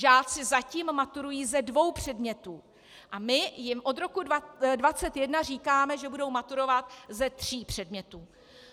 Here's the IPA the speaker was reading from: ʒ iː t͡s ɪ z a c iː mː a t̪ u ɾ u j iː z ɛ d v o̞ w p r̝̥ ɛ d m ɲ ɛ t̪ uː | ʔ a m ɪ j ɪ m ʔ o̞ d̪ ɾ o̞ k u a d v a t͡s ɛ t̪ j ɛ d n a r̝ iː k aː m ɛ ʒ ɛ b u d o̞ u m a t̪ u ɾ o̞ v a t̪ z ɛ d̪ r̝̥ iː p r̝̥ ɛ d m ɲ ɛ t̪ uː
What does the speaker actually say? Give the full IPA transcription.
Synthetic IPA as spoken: ʒ aː t͡s ɪ z a c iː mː a t̪ u ɾ u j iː z ɛ d v o̞ w p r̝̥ ɛ d m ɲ ɛ t̪ uː | ʔ a m ɪ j ɪ m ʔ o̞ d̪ ɾ o̞ k u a d v a t͡s ɛ t̪ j ɛ d n a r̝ iː k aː m ɛ ʒ ɛ b u d o̞ w m a t̪ u ɾ o̞ v a t̪ z ɛ t̪ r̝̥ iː p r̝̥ ɛ d m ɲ ɛ t̪ uː